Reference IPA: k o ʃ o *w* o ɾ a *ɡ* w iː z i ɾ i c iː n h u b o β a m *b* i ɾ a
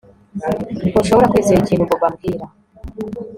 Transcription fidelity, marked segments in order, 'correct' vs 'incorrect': incorrect: β, incorrect: k, incorrect: ɡ

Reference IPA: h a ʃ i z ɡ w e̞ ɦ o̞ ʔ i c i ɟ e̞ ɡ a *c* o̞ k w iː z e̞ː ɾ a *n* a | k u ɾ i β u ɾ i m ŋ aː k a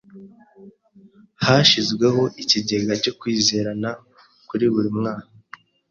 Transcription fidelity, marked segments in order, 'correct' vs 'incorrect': correct, correct

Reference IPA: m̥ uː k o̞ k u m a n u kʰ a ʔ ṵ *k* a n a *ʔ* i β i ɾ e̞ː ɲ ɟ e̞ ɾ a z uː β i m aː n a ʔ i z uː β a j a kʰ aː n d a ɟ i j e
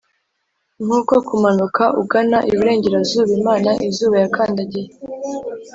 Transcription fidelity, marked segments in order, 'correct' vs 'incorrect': incorrect: ɡ, correct

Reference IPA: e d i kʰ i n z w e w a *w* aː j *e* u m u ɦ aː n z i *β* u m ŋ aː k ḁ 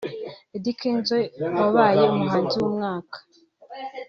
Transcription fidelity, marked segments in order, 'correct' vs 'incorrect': incorrect: β, correct, incorrect: w

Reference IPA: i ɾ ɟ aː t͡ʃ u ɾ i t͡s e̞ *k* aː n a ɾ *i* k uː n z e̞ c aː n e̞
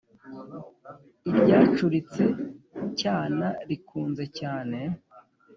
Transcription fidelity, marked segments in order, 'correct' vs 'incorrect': incorrect: c, correct

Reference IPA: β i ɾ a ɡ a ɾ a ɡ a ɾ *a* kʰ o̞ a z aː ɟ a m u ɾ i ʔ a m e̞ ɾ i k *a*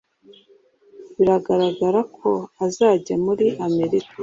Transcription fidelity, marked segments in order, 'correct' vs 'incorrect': correct, correct

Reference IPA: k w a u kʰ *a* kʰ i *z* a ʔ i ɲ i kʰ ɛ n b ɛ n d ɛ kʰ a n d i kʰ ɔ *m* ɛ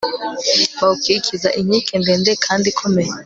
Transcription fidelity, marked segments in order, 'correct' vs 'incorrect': incorrect: i, correct, correct

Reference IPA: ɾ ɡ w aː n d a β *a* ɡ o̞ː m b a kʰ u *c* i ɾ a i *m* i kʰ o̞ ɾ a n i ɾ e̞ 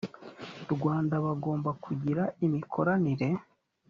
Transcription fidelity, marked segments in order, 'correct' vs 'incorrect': correct, incorrect: ɟ, correct

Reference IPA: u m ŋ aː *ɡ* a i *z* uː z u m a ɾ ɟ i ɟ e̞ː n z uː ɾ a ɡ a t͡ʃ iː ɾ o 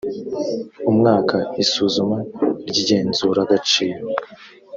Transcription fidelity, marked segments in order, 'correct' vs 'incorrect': incorrect: k, incorrect: s

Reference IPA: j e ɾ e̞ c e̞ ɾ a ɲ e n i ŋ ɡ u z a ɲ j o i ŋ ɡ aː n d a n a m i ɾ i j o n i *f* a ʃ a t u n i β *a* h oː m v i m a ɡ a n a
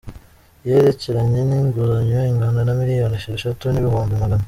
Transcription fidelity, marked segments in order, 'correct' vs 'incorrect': incorrect: ʃ, incorrect: i

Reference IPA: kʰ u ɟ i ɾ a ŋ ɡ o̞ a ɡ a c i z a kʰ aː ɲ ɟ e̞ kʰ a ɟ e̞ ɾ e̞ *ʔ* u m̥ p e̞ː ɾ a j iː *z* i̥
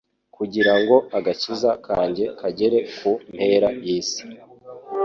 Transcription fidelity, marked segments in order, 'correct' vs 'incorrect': incorrect: k, incorrect: s

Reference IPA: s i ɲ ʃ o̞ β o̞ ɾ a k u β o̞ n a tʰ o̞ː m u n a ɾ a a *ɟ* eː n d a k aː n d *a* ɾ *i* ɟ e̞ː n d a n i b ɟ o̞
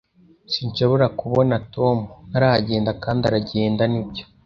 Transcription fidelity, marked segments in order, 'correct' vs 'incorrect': correct, correct, incorrect: a

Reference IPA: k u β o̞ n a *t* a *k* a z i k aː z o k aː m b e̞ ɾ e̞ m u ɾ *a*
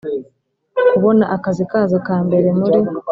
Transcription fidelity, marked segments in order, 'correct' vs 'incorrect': incorrect: ʔ, correct, incorrect: i

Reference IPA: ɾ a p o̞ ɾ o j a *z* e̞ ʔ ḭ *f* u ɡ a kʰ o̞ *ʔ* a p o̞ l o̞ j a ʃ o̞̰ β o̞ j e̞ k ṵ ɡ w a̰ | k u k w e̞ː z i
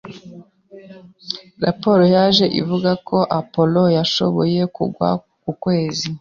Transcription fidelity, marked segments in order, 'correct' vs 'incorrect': incorrect: ʒ, incorrect: v, correct

